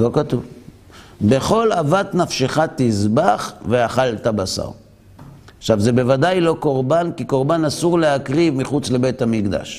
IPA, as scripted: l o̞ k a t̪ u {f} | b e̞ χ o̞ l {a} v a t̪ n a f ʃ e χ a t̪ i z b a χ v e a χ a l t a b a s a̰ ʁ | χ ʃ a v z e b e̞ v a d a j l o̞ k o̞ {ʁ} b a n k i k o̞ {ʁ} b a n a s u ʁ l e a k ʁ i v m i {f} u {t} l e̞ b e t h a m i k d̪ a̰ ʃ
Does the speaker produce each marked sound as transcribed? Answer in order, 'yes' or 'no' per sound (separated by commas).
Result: no, yes, yes, yes, no, no